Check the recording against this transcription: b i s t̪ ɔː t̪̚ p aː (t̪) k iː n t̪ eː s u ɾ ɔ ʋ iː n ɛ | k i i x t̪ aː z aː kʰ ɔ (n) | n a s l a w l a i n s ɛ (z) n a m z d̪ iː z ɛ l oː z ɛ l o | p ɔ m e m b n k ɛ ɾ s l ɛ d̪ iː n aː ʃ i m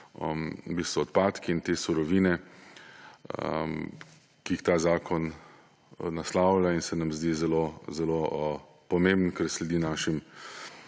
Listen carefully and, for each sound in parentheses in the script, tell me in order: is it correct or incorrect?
correct, correct, incorrect: none

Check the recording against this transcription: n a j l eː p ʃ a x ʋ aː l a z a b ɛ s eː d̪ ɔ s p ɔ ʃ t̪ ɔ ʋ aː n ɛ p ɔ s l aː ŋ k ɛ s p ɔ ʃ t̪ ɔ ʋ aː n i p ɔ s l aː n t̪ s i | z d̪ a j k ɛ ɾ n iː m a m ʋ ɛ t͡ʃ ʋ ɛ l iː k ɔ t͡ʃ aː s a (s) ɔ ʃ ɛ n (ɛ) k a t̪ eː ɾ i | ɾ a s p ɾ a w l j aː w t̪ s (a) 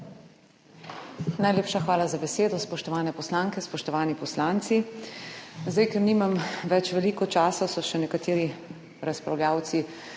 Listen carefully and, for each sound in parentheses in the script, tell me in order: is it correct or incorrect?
correct, correct, incorrect: i

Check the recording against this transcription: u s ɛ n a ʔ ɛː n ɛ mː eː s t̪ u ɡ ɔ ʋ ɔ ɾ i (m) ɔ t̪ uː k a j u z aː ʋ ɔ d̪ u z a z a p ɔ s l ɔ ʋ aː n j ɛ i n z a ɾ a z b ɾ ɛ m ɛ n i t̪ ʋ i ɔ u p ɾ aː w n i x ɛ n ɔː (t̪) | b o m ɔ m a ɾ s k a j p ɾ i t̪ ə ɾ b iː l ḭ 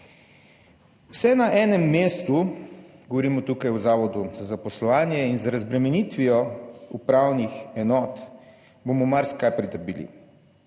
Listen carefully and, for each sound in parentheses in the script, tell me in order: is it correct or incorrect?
correct, correct

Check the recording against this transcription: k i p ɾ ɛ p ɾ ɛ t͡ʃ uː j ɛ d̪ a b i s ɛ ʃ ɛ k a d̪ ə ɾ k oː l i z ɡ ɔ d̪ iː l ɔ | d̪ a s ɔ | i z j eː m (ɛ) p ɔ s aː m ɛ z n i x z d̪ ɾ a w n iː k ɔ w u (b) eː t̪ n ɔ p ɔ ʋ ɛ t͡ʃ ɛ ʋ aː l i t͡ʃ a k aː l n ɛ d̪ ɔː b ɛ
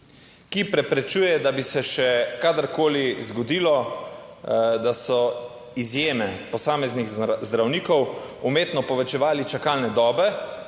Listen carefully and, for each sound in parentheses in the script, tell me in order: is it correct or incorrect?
correct, incorrect: m

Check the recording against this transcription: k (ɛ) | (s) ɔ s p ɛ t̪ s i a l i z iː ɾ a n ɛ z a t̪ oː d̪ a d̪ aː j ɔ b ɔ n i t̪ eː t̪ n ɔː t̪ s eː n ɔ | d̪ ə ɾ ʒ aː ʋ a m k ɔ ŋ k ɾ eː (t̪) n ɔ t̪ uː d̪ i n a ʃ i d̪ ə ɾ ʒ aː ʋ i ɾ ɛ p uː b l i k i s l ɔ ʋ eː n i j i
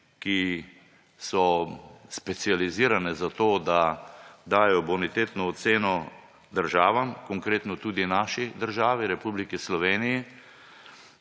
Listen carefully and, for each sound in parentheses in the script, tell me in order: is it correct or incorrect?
incorrect: i, correct, correct

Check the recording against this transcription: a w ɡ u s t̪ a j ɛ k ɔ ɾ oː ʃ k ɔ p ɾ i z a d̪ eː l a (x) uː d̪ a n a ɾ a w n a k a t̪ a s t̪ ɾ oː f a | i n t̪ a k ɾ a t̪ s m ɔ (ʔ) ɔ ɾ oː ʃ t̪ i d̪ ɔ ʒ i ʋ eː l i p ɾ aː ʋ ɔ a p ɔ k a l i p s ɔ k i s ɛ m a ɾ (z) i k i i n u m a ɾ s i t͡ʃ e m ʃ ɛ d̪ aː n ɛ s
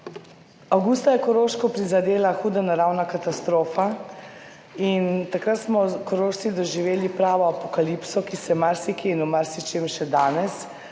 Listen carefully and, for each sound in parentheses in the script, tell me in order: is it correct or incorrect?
correct, incorrect: k, incorrect: s

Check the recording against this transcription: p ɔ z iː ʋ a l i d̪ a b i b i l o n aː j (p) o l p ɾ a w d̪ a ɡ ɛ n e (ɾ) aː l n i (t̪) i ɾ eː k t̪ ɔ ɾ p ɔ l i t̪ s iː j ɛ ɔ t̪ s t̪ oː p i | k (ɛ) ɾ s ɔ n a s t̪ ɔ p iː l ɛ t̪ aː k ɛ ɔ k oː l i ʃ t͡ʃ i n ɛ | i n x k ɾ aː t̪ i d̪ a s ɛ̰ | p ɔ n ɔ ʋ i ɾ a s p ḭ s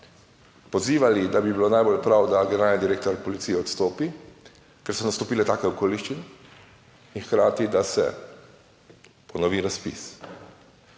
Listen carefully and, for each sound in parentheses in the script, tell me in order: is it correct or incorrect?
incorrect: b, correct, incorrect: d̪, correct

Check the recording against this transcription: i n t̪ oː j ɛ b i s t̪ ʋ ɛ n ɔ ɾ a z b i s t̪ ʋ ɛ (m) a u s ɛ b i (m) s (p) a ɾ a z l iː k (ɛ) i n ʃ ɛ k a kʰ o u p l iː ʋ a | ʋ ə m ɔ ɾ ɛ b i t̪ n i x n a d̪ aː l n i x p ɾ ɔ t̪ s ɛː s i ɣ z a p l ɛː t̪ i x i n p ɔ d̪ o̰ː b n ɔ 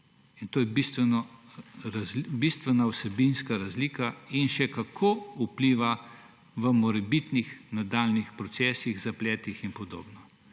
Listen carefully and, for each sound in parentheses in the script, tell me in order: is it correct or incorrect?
incorrect: n, incorrect: n, incorrect: k, incorrect: a

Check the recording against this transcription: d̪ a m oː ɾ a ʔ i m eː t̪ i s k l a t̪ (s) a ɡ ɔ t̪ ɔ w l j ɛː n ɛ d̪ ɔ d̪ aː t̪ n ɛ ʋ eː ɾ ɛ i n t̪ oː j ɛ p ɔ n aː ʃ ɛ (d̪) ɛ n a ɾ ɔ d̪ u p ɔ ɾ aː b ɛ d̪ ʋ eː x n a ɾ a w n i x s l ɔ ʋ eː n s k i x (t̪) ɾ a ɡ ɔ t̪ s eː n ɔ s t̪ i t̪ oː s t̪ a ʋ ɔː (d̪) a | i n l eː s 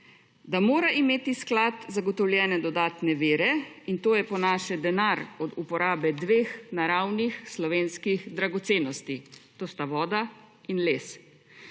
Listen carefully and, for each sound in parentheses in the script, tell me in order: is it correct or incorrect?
incorrect: z, correct, incorrect: d̪, correct

